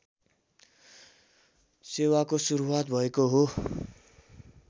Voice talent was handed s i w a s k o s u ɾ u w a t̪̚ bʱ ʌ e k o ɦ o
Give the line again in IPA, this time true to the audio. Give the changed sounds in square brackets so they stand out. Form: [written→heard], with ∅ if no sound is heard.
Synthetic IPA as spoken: s [i→e] w a [s→∅] k o s u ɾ u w a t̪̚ bʱ ʌ e k o ɦ o